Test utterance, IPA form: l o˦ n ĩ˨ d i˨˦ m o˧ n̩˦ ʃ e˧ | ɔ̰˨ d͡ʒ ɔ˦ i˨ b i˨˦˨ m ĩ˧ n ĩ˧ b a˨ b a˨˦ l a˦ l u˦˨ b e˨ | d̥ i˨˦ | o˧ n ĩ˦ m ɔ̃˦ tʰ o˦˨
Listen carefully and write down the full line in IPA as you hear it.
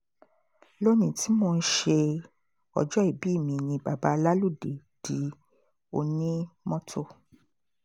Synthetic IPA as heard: l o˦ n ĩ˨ t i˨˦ m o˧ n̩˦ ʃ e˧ | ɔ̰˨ d͡ʒ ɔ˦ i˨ b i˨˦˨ m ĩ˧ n ĩ˧ b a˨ b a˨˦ l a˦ l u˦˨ d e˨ | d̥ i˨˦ | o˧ n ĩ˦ m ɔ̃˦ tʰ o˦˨